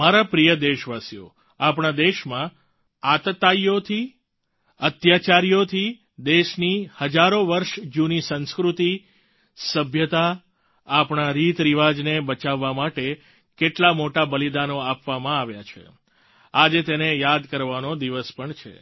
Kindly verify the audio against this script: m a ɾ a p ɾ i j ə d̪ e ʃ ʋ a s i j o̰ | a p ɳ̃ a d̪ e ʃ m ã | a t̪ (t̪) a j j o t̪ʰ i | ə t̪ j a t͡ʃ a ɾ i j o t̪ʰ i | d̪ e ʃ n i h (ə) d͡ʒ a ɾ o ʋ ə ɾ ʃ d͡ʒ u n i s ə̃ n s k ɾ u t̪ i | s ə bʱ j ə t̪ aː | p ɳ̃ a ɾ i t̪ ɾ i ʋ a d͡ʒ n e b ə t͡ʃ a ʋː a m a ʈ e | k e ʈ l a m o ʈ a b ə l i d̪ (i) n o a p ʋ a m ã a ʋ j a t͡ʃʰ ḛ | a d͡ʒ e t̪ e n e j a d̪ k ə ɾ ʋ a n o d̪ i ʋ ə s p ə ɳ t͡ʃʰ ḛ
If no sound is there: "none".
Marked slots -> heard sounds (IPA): t̪, ə, a

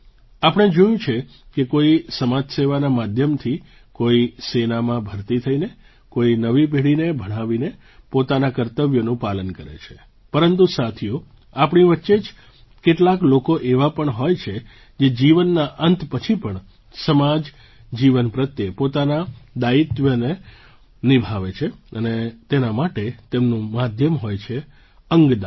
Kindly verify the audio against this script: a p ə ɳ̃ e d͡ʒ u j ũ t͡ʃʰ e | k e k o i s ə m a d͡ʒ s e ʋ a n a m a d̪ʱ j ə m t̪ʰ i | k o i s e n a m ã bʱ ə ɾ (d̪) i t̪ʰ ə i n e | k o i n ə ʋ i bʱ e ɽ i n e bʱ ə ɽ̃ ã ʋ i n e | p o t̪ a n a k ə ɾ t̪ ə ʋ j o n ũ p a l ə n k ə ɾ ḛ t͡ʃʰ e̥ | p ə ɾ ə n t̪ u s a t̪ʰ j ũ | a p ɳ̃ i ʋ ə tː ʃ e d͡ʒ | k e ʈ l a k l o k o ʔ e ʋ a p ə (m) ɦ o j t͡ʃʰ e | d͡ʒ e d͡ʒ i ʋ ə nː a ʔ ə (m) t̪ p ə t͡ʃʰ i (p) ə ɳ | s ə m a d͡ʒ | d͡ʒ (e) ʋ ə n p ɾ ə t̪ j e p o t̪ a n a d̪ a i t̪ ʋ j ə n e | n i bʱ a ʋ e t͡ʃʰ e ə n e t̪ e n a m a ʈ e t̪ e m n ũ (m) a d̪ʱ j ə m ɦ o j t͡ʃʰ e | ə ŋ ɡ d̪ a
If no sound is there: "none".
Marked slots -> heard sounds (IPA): t̪, ɳ, n, p, i, m

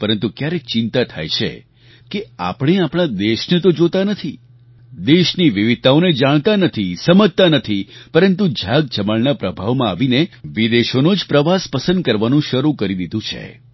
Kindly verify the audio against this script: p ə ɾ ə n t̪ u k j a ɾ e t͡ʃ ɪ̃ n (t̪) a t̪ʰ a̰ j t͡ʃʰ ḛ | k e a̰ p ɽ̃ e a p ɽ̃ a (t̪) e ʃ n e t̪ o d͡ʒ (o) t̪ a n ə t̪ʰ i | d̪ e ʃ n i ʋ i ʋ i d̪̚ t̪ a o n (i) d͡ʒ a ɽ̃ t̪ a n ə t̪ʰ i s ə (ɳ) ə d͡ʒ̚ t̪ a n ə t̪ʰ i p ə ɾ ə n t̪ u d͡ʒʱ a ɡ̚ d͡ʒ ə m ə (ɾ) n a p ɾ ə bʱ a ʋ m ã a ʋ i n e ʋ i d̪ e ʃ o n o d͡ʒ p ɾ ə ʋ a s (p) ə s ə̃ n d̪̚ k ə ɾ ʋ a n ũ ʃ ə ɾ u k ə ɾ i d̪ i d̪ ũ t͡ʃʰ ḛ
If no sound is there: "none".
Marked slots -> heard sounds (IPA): t̪, d̪, o, e, m, ɭ, p

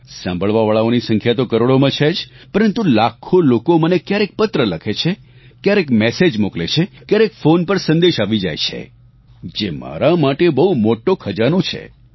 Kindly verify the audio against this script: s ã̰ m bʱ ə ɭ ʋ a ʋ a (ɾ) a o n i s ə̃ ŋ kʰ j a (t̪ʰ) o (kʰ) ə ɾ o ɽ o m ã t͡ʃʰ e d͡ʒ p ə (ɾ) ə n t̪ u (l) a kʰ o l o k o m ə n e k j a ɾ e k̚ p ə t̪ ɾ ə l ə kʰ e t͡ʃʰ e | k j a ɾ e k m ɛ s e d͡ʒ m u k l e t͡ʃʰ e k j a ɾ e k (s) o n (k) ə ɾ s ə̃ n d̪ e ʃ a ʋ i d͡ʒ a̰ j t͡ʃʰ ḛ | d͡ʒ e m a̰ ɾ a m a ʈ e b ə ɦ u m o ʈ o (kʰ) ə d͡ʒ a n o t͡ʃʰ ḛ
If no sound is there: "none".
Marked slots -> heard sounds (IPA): ɭ, t̪, k, ɾ, l, f, p, kʰ

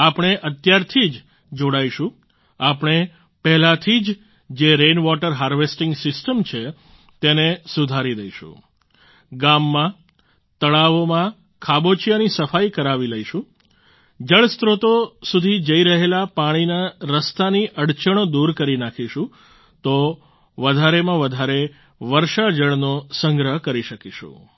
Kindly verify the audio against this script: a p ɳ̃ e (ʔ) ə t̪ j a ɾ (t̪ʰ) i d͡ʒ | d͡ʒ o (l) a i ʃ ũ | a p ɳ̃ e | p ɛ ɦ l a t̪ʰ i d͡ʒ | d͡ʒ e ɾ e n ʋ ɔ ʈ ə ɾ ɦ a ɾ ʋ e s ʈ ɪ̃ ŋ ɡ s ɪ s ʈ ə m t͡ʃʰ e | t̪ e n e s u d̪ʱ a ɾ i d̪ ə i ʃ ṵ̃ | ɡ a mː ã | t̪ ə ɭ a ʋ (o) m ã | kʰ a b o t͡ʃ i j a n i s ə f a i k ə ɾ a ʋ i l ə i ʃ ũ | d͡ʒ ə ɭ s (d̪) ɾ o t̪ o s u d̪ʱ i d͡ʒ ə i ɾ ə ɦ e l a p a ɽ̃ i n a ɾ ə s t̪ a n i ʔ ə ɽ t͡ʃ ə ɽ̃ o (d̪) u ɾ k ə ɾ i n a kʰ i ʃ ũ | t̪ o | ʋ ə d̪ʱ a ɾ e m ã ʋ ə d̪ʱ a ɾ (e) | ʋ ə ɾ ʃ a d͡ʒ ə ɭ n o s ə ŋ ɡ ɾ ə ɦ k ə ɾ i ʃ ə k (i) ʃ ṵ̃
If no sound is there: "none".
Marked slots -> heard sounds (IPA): ʔ, t̪ʰ, ɽ, o, t̪, d̪, e, i

